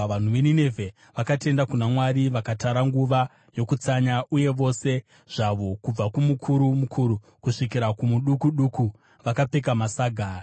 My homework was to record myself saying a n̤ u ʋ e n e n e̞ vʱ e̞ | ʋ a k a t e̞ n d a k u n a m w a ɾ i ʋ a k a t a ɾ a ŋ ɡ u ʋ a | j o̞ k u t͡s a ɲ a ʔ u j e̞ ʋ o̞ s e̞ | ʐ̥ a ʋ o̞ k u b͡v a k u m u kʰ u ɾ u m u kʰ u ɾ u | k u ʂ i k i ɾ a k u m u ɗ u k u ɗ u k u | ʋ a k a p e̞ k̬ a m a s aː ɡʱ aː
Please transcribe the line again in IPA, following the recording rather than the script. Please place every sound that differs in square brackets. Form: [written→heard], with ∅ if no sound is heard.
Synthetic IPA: a n̤ u ʋ e n [e→i] n e̞ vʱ e̞ | ʋ a k a t e̞ n d a k u n a m w a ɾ i ʋ a k a t a ɾ a ŋ ɡ u ʋ a | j o̞ k u t͡s a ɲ a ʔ u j e̞ ʋ o̞ s e̞ | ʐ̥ a ʋ o̞ k u b͡v a k u m u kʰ u ɾ u m u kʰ u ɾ u | k u ʂ i k i ɾ a k u m u ɗ u k u ɗ u k u | ʋ a k a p e̞ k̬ a m a s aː ɡʱ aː